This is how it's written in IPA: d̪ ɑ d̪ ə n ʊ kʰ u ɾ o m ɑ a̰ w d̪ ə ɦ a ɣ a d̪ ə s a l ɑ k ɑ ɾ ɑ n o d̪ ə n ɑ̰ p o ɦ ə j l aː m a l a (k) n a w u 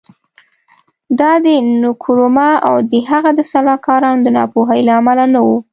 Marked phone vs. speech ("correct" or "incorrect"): incorrect